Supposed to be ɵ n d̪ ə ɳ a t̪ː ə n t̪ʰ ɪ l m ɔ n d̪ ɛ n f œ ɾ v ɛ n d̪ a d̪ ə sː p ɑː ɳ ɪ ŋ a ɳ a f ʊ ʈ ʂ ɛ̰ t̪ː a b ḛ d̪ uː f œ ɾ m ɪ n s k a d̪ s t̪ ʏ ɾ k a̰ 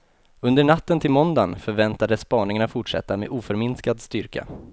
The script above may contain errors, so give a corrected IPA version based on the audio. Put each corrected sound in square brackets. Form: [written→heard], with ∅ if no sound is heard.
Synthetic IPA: ɵ n d̪ ə ɳ a t̪ː ə n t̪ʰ ɪ l m ɔ n d̪ [ɛ→a] n f œ ɾ v ɛ n [d̪→t̪] a d̪ ə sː p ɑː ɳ ɪ ŋ a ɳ a f ʊ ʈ ʂ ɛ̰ t̪ː a [b→m] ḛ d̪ uː f œ ɾ m ɪ n s k a d̪ s t̪ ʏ ɾ k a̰